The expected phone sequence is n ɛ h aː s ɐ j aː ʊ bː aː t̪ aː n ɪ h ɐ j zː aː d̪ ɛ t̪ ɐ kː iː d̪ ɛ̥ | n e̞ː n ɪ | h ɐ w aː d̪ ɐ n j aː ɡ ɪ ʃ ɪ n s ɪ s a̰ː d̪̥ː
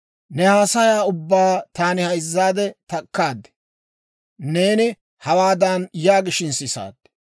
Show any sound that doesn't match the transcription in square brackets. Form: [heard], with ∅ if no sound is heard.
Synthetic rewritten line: n ɛ h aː s ɐ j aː ʊ bː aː t̪ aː n ɪ h ɐ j zː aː d̪ ɛ t̪ ɐ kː [aː] d̪ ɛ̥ | n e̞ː n ɪ | h ɐ w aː d̪ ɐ n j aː ɡ ɪ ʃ ɪ n s ɪ s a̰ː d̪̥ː